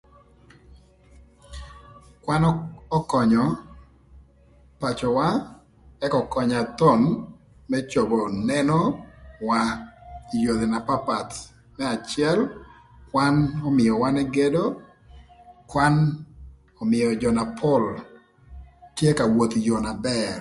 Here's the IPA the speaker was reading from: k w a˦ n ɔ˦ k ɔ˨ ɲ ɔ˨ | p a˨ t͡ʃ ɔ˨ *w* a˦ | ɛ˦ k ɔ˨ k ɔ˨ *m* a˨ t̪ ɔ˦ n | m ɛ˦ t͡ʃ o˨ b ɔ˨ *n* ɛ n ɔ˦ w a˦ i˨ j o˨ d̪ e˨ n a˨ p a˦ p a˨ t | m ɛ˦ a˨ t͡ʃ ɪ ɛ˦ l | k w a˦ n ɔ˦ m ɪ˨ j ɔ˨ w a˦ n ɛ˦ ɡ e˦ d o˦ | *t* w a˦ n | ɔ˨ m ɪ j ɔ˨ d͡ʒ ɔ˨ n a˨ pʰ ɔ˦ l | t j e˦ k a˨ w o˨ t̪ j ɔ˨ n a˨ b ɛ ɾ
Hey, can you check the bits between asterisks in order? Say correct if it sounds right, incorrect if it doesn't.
correct, incorrect: ɲ, correct, incorrect: k

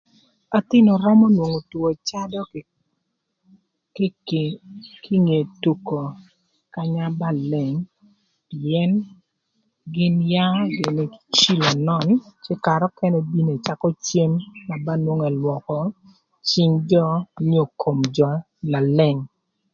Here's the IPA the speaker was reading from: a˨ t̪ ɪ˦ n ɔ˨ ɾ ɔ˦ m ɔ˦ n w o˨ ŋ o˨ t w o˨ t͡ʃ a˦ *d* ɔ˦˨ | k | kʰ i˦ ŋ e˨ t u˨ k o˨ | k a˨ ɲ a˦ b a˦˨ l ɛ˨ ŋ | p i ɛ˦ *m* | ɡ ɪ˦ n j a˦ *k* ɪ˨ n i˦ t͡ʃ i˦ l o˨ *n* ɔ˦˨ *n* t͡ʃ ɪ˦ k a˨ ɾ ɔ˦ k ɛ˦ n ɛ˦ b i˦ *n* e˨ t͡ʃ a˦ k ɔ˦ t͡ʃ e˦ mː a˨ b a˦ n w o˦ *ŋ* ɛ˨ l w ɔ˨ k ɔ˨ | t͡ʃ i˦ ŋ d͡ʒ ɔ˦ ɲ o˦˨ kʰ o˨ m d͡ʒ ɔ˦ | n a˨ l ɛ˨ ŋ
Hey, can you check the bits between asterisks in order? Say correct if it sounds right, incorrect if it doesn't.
correct, incorrect: n, incorrect: ɡ, correct, correct, correct, correct

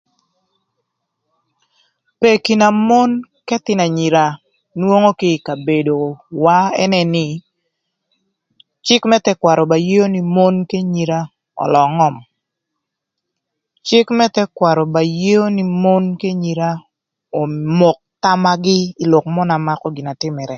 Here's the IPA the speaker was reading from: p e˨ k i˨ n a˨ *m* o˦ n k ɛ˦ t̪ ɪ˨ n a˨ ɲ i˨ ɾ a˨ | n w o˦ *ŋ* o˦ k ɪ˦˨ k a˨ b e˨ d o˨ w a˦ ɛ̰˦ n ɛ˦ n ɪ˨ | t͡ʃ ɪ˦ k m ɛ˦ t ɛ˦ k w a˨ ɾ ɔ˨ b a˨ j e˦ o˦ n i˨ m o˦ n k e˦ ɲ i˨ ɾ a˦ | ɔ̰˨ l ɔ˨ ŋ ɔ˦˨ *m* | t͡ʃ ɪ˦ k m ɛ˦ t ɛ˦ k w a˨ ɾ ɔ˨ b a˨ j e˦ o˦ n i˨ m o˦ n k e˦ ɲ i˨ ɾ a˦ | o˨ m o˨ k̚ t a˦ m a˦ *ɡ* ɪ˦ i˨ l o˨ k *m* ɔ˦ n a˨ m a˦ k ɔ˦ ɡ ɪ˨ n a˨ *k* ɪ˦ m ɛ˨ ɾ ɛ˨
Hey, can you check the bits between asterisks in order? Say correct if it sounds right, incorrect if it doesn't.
correct, correct, correct, correct, correct, incorrect: t

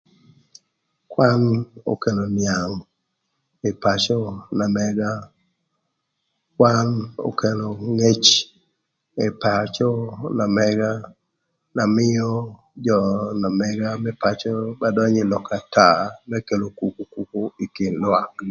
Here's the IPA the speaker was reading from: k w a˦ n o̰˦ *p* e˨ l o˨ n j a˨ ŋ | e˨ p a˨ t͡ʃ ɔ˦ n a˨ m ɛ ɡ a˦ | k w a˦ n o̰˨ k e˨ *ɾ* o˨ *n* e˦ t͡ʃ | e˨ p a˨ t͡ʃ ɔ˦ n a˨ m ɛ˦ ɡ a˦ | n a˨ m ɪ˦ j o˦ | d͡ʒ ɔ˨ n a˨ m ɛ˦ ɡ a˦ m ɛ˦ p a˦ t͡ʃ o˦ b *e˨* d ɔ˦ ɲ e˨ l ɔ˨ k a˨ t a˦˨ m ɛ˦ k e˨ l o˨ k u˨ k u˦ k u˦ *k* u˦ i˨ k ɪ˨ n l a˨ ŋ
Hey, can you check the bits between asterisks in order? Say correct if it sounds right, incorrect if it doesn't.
incorrect: k, incorrect: l, incorrect: ŋ, incorrect: a˨, correct

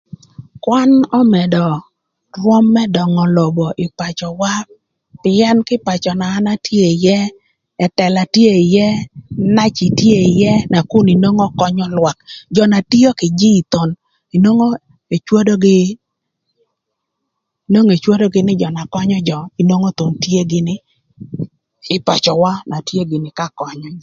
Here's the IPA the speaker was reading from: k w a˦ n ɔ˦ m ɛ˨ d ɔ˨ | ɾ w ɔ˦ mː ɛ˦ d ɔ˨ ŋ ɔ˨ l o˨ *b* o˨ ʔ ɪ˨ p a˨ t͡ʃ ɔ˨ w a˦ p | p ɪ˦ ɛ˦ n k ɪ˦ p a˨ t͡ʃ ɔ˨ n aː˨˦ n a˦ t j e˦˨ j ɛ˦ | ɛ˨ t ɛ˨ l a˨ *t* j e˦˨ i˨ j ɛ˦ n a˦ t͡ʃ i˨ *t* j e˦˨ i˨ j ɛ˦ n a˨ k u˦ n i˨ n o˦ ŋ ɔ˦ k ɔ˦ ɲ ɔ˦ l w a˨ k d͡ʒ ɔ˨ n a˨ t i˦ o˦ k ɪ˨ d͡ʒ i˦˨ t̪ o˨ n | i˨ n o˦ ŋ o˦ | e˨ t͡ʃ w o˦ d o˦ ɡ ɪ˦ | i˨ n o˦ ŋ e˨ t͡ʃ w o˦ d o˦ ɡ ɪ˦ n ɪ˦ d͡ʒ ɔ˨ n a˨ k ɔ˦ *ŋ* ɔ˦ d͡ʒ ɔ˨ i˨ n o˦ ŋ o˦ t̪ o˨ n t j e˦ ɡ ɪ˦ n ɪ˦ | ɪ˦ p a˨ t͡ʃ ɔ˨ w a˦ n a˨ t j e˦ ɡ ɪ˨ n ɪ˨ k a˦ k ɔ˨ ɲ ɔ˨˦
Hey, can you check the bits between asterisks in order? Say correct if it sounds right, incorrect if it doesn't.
correct, correct, correct, incorrect: ɲ

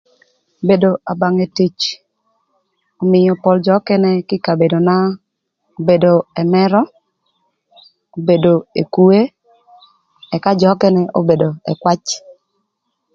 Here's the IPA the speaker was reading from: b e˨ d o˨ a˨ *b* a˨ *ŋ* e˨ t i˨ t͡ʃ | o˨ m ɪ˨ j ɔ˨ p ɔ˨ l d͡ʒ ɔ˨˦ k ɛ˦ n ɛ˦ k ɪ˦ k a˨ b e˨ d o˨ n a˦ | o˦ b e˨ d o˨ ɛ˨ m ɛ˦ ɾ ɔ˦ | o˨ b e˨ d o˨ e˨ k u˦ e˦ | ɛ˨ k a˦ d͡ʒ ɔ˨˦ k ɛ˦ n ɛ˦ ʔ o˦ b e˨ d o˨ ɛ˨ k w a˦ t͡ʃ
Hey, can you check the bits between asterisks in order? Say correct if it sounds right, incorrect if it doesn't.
correct, correct

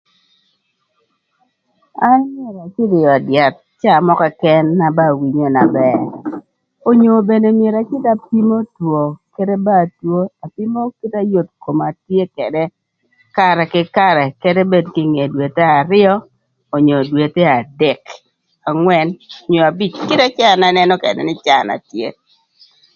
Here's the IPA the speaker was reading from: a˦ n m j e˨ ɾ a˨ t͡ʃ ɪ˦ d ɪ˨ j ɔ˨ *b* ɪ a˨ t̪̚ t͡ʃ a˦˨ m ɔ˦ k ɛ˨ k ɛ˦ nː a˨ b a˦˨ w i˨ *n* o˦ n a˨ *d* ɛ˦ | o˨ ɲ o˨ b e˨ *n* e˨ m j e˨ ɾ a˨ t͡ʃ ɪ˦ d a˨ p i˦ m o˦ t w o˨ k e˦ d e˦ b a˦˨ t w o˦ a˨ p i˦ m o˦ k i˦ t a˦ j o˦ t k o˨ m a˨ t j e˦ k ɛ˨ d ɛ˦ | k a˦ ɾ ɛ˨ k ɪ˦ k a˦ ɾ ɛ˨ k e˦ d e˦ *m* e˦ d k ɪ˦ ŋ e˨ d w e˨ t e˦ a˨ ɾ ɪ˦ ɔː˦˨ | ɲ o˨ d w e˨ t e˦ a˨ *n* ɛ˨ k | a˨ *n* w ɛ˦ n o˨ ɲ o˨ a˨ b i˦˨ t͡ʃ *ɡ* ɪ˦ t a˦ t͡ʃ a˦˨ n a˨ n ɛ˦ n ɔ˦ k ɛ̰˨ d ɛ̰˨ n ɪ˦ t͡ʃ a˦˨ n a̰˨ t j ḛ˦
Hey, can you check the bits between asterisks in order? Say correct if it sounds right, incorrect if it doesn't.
incorrect: d, incorrect: ɲ, incorrect: b, correct, incorrect: b, incorrect: d, incorrect: ŋ, incorrect: k

